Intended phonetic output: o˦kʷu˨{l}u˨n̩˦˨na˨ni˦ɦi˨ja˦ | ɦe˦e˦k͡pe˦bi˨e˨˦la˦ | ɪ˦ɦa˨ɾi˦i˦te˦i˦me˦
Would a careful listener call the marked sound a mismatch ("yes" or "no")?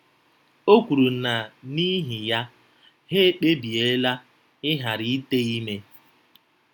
yes